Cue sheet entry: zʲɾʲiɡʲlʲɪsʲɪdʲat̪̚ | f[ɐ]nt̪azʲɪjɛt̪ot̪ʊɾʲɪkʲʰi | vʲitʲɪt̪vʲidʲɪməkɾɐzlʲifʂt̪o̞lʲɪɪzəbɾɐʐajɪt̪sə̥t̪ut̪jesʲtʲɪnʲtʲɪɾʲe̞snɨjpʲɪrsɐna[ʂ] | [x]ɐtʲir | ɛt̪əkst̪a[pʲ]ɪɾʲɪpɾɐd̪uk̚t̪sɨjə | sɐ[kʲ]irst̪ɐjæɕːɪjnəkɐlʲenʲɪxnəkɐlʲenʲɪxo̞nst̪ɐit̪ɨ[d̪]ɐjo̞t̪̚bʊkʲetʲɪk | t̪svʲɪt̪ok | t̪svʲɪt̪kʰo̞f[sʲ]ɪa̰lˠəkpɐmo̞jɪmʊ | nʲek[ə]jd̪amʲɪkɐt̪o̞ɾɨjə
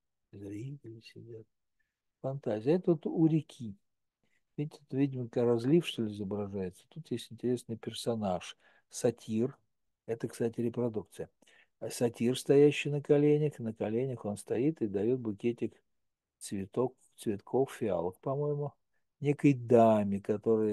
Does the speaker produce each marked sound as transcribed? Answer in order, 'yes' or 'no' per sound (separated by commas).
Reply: yes, yes, no, no, no, yes, no, yes